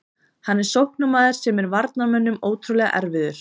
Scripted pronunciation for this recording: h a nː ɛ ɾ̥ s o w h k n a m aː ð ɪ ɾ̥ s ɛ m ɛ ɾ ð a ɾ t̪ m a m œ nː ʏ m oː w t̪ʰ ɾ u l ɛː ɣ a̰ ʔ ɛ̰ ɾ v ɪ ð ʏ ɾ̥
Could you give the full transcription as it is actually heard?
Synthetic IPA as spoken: h a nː ɛ ɾ̥ s o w h k n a m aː ð ɪ ɾ̥ s ɛ m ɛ ɾ v a ɾ t̪ n a m œ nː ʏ m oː w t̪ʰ ɾ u l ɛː ɣ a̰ ʔ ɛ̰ ɾ v ɪ ð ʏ ɾ̥